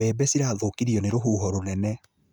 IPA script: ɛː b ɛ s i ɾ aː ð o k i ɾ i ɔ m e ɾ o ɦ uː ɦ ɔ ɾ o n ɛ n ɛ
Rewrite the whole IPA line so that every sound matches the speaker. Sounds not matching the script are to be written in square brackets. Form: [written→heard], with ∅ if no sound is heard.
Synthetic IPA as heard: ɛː b ɛ s i ɾ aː ð o k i ɾ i ɔ [m→n] e ɾ o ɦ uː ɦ ɔ ɾ o n ɛ n ɛ

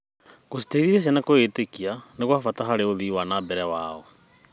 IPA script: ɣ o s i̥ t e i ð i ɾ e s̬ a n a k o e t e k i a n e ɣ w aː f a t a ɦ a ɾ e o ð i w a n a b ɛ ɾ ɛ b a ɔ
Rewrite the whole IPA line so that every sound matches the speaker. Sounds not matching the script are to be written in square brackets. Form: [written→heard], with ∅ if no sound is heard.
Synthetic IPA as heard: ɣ o s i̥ t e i ð i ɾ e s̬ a n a k o e t e k i a n e ɣ w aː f a t a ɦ a ɾ e o ð i w a n a b ɛ ɾ ɛ [b→w] a ɔ

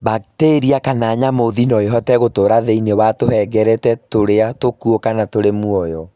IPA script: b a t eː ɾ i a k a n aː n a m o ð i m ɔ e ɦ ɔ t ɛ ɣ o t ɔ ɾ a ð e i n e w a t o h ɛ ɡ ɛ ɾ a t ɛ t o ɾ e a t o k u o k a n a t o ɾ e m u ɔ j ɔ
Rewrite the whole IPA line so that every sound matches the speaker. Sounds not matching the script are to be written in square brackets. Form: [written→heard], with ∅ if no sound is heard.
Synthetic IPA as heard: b a t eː ɾ i a k a n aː [n→ɲ] a m o ð i [m→n] ɔ e ɦ ɔ t ɛ ɣ o t [ɔ→o] ɾ a ð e i n e w a t o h ɛ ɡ ɛ ɾ [a→ɛ] t ɛ t o ɾ e a t o k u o k a n a t o ɾ e m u ɔ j ɔ

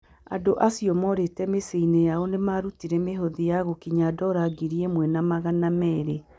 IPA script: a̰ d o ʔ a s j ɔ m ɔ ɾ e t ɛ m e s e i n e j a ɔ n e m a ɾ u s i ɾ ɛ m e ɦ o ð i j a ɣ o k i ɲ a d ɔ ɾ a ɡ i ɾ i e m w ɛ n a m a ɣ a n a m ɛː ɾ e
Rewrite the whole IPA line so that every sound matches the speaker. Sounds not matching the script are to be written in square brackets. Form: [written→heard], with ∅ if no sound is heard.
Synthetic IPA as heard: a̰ d o ʔ a s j ɔ m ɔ ɾ e t ɛ m e s e i n e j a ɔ n e m a ɾ u [s→t] i ɾ ɛ m e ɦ o ð i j a ɣ o k i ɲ a d ɔ ɾ a ɡ i ɾ i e m w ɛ n a m a ɣ a n a m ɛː ɾ e

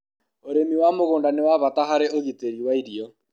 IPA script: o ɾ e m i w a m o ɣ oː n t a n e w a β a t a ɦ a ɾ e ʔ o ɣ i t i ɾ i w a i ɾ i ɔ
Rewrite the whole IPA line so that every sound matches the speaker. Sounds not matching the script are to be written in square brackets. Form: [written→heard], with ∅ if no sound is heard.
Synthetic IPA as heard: o ɾ e m i w a m o ɣ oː n [t→d] a n e w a β a t a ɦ a ɾ e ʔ o ɣ i t [i→e] ɾ i w a i ɾ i ɔ

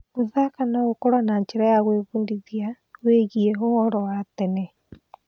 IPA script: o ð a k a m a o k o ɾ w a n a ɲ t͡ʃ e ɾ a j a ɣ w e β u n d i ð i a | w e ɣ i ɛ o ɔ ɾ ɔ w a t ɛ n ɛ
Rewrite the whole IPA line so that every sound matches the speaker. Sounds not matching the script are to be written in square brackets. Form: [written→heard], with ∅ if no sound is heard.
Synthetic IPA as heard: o ð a k a [m→n] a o k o ɾ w a n a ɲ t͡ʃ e ɾ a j a ɣ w e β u n d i ð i a | w e ɣ i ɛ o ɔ ɾ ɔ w a t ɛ n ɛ

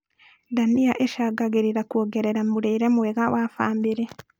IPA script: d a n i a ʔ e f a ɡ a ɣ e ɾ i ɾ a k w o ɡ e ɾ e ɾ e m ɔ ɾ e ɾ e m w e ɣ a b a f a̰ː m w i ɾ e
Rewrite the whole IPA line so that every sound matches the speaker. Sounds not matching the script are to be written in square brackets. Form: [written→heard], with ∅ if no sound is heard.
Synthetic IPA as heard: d a n i a ʔ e [f→ʃ] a ɡ a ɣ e ɾ i ɾ a k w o ɡ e ɾ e ɾ [e→a] m [ɔ→u] ɾ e ɾ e m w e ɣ a [b→w] a f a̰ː m [w→b] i ɾ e

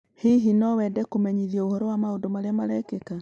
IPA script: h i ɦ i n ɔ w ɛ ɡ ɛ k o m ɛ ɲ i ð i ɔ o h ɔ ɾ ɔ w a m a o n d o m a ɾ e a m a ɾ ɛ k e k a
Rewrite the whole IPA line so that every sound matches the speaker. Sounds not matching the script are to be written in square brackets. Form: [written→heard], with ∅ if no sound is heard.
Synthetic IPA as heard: h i ɦ i n ɔ w ɛ [ɡ→d] ɛ k o m ɛ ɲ i ð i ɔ o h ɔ ɾ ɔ w a m a o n d o m a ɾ e a m a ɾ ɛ k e k a

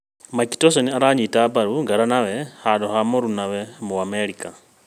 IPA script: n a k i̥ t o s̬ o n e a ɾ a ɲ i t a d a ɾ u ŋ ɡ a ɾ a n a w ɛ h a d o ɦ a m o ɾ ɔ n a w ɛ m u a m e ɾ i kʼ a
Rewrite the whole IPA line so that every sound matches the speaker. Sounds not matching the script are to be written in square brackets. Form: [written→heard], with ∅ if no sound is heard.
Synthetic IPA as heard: [n→m] a k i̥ t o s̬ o n [e→i] a ɾ a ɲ i t a [d→b] a ɾ u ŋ ɡ a ɾ a n a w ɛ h a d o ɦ a m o ɾ [ɔ→u] n a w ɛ m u a m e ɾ i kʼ a

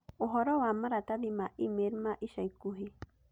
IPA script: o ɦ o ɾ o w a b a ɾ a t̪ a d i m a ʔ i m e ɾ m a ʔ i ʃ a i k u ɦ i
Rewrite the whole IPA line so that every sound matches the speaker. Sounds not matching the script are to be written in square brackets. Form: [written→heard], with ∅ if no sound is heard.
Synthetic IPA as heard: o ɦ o ɾ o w a [b→m] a ɾ a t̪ a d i m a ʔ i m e ɾ m a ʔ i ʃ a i k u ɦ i

